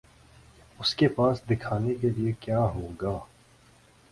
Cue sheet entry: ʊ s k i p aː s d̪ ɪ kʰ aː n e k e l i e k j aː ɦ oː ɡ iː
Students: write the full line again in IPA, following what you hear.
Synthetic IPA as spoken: ʊ s k e p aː s d̪ ɪ kʰ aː n e k e l i e k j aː ɦ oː ɡ aː